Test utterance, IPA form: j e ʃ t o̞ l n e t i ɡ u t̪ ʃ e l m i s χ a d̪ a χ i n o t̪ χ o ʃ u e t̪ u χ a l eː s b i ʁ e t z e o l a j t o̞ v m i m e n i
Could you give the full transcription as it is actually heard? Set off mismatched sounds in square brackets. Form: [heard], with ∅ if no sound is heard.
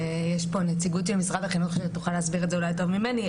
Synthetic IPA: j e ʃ [p] o̞ [∅] n e [t͡s] i ɡ u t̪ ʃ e l m i s [ʁ] a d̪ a χ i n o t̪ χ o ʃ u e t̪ u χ a l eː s b i ʁ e t z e [u] l a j t o̞ v m i m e n i